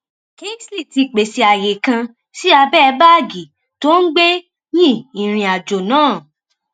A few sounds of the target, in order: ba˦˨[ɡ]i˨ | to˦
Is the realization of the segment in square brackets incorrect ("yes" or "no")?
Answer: no